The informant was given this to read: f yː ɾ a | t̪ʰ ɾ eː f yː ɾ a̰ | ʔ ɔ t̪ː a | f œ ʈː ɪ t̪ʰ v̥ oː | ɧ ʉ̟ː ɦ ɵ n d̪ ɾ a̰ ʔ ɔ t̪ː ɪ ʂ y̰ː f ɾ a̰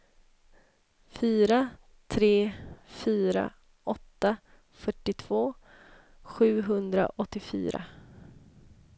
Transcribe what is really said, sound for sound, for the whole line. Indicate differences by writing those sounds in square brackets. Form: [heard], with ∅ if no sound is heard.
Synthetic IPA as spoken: f yː ɾ a | t̪ʰ ɾ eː f yː ɾ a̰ | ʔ ɔ t̪ː a | f œ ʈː ɪ t̪ʰ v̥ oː | ɧ ʉ̟ː ɦ ɵ n d̪ ɾ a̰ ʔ ɔ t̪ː ɪ [f] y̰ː [∅] ɾ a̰

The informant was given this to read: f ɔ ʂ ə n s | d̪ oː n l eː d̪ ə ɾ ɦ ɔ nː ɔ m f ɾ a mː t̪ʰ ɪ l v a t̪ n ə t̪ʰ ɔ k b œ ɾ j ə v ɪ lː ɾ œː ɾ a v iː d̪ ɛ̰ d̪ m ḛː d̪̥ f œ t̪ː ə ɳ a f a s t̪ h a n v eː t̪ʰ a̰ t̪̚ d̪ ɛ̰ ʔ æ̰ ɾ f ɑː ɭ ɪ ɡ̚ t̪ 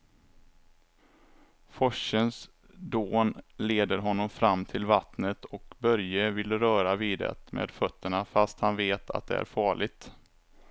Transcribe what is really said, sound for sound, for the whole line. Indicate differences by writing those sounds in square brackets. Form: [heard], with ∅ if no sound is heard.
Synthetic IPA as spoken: f ɔ ʂ ə n s | d̪ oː n l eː d̪ ə ɾ ɦ ɔ nː ɔ m f ɾ a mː t̪ʰ ɪ l v a t̪ n ə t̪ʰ ɔ k b œ ɾ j ə v ɪ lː ɾ œː ɾ a v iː d̪ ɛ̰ [t̪] m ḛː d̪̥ f œ t̪ː ə ɳ a f a s t̪ h a n v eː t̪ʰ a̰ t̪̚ d̪ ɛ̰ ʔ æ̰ ɾ f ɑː ɭ ɪ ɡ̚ t̪

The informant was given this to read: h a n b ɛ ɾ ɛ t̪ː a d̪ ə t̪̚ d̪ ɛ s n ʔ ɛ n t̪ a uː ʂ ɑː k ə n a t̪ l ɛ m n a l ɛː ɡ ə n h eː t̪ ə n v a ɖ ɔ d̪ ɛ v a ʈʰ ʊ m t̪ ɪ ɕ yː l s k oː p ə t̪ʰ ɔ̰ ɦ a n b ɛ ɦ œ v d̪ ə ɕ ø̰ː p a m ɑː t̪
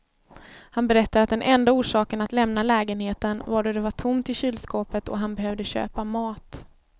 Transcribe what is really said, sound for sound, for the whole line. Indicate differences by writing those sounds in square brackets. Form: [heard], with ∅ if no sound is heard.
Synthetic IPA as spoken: h a n b ɛ ɾ ɛ t̪ː a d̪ [a] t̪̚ d̪ ɛ [∅] n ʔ ɛ n [d̪] a uː ʂ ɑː k ə n a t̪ l ɛ m n a l ɛː ɡ ə n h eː t̪ ə n v a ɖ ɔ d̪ ɛ v a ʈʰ ʊ m t̪ ɪ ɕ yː l s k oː p ə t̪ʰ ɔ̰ ɦ a n b ɛ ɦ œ v d̪ ə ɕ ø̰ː p a m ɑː t̪

